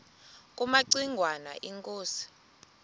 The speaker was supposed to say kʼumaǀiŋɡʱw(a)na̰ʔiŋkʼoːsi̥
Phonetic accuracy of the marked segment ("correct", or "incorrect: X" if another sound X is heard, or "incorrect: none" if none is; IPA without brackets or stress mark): correct